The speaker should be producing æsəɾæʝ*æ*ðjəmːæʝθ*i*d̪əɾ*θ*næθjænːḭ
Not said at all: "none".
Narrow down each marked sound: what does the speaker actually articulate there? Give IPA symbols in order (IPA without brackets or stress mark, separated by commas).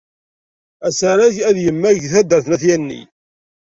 æ, æ, θ